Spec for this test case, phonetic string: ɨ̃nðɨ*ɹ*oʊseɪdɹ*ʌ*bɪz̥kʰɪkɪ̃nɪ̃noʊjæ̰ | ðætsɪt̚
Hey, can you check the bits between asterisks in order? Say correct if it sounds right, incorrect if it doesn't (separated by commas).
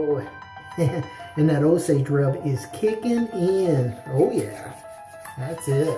incorrect, correct